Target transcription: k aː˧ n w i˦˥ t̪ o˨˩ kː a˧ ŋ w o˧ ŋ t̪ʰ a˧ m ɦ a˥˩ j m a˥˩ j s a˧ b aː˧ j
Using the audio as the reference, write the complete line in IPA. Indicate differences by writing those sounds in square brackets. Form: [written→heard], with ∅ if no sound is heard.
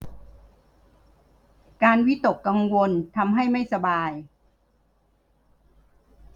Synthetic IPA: k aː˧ n w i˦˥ t̪ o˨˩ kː a˧ ŋ w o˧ [ŋ→n] t̪ʰ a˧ m ɦ a˥˩ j m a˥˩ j s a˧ b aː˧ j